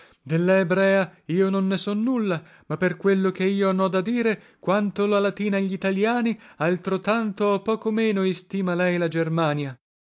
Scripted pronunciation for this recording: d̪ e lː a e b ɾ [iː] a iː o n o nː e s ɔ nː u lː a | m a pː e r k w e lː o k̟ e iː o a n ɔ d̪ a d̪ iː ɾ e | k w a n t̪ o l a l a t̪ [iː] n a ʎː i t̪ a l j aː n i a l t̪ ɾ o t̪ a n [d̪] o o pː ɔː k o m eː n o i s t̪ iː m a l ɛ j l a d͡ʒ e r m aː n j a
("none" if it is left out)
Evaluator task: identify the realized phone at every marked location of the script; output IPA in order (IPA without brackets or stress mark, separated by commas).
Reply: ɛː, iː, t̪